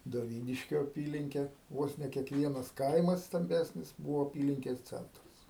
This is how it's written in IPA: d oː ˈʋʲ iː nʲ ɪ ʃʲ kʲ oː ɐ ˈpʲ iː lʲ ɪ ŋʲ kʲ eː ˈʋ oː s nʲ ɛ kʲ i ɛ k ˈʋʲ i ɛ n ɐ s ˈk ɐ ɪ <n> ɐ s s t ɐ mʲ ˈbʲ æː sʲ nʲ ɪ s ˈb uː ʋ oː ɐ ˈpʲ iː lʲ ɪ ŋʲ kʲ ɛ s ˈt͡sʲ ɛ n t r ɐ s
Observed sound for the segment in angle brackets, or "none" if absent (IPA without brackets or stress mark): m